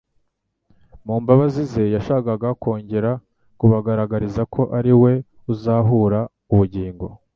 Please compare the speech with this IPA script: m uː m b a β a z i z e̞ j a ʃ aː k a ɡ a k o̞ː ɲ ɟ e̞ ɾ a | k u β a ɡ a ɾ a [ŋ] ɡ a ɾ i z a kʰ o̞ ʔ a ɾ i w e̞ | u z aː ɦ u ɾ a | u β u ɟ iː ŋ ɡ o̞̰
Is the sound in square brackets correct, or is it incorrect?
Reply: incorrect